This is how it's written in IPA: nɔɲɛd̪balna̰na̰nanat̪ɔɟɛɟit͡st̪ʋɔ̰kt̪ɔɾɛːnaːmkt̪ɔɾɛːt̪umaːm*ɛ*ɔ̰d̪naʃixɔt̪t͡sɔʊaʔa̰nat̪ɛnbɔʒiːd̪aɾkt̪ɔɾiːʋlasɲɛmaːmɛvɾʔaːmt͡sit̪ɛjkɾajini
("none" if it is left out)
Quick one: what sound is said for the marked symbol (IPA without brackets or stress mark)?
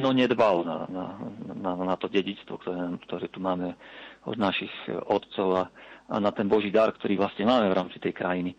ɛ